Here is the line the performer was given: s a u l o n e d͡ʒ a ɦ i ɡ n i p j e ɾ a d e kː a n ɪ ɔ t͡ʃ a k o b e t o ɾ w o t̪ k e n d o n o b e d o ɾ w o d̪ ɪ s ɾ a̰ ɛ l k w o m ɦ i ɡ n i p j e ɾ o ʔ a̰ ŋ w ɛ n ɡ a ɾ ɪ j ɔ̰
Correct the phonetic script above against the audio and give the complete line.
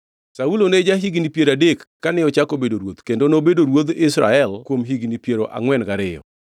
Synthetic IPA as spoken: s a u l o n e d͡ʒ a ɦ i ɡ n i p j e ɾ a d e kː a n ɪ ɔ t͡ʃ a k o b e d o ɾ w o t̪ k e n d o n o b e d o ɾ w o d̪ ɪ s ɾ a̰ ɛ l k w o m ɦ i ɡ n i p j e ɾ o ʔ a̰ ŋ w ɛ n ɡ a ɾ ɪ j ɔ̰